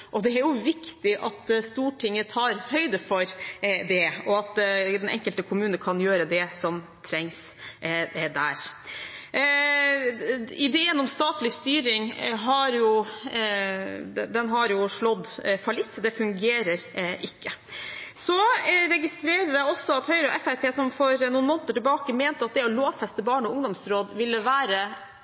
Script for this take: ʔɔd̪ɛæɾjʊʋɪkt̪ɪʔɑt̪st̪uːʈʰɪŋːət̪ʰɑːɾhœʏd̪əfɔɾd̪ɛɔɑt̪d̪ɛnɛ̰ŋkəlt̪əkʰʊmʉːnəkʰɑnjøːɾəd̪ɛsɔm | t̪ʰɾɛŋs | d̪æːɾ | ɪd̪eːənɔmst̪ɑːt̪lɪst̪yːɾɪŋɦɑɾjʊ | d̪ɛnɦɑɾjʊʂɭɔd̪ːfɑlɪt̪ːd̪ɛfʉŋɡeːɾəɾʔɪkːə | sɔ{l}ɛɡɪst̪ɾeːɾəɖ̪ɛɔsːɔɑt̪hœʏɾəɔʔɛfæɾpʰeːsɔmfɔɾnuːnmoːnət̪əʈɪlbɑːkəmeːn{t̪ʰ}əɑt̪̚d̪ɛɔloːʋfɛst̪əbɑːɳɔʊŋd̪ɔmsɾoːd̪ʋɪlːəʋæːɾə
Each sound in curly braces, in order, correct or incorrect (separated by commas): incorrect, incorrect